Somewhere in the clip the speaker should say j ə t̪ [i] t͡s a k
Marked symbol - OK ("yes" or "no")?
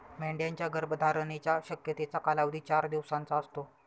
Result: no